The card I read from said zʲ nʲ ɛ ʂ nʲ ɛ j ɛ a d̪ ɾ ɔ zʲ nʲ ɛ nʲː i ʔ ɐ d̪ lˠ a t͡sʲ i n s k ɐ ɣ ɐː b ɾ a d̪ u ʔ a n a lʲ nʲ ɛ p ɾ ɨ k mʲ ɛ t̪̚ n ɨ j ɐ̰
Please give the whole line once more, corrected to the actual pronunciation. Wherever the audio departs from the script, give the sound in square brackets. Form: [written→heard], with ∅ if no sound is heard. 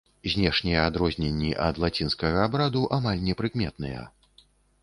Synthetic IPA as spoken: zʲ nʲ ɛ ʂ nʲ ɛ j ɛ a d̪ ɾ ɔ zʲ nʲ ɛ nʲː i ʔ ɐ d̪ lˠ a t͡sʲ i n s k ɐ ɣ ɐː b ɾ a d̪ u ʔ a [n→m] a lʲ nʲ ɛ p ɾ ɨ k mʲ ɛ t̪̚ n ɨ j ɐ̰